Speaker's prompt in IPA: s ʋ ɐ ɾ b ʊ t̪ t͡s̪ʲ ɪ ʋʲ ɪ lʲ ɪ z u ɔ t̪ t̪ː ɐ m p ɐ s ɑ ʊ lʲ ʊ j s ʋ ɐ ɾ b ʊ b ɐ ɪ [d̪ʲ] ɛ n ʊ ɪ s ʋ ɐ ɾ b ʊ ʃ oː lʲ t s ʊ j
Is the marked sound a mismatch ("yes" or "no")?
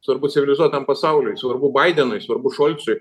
no